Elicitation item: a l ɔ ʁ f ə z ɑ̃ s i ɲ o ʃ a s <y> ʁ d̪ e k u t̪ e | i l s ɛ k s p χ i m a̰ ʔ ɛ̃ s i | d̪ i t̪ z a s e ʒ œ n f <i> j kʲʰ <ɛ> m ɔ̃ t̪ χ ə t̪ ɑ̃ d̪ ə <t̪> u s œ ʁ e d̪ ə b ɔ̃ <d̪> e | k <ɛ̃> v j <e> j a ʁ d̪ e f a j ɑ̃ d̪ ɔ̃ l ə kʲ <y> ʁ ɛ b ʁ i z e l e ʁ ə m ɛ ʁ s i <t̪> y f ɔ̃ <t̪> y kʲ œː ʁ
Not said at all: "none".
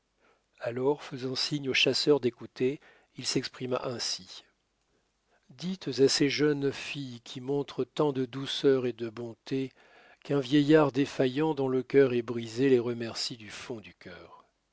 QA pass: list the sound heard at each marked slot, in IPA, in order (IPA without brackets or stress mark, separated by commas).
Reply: œ, i, i, d̪, t̪, ɛ̃, ɛ, œ, d̪, d̪